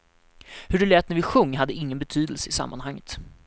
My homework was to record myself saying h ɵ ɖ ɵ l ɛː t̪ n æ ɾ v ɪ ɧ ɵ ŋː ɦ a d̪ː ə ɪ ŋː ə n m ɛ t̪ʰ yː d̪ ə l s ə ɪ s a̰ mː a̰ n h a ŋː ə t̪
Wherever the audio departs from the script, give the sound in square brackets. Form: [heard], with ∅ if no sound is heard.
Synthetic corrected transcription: h ɵ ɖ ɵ l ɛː t̪ n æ ɾ v ɪ ɧ ɵ ŋː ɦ a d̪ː ə ɪ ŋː ə n [b] ɛ t̪ʰ yː d̪ ə l s ə ɪ s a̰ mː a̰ n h a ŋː ə t̪